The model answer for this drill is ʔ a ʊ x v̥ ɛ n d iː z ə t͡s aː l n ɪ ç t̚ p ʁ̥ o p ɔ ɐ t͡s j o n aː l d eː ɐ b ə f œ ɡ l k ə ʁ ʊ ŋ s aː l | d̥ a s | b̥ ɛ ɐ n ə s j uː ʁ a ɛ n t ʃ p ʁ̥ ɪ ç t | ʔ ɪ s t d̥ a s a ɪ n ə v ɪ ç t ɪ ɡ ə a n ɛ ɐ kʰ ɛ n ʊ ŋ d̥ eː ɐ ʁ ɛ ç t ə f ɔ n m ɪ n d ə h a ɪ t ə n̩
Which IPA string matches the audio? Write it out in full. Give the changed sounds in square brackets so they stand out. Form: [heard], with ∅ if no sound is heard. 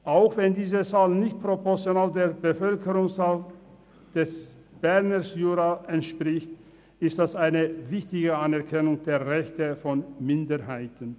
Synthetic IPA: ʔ a ʊ x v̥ ɛ n d iː z ə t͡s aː l n ɪ ç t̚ p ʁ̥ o p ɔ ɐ t͡s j o n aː l d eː ɐ b ə f œ [∅] l k ə ʁ ʊ ŋ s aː l | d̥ [ɛ] s | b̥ ɛ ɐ n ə s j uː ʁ a ɛ n t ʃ p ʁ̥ ɪ ç t | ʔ ɪ s t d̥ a s a ɪ n ə v ɪ ç t ɪ ɡ ə a n ɛ ɐ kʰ ɛ n ʊ ŋ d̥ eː ɐ ʁ ɛ ç t ə f ɔ n m ɪ n d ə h a ɪ t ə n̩